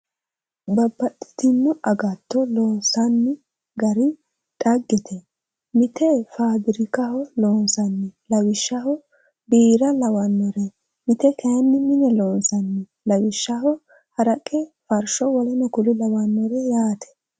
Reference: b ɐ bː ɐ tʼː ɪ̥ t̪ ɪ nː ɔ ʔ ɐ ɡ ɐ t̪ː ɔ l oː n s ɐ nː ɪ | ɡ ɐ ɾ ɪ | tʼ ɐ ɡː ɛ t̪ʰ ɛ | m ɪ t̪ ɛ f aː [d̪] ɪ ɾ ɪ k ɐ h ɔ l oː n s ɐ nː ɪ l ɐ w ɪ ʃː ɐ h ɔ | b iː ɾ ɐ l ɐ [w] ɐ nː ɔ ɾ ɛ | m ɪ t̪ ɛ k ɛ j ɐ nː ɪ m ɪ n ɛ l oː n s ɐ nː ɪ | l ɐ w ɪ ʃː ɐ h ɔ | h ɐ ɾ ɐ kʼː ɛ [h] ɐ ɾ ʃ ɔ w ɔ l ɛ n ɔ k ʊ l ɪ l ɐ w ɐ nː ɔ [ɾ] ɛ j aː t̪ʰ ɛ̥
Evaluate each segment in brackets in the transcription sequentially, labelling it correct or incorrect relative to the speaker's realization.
correct, correct, incorrect, correct

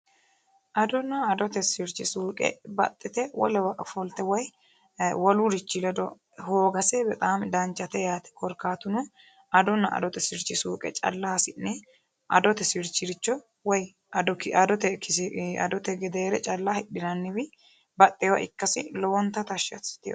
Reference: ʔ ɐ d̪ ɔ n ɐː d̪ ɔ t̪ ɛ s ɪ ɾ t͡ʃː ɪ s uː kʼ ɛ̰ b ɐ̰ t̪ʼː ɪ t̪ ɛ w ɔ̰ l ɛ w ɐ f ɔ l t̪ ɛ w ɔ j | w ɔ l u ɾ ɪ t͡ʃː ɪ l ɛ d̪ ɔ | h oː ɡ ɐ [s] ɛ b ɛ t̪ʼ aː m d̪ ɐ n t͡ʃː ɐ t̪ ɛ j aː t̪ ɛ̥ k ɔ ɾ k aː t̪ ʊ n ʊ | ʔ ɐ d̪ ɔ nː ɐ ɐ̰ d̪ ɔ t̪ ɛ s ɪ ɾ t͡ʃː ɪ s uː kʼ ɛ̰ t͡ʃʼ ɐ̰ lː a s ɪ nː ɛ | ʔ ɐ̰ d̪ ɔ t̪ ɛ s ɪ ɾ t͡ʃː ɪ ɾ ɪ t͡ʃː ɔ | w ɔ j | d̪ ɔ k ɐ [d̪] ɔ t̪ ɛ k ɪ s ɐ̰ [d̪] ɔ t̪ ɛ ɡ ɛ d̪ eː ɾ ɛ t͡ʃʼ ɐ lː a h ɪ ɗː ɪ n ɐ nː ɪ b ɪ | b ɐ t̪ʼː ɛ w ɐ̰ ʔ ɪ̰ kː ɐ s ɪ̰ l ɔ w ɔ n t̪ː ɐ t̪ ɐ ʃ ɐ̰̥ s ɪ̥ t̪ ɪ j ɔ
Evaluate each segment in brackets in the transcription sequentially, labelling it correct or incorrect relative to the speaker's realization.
correct, correct, correct

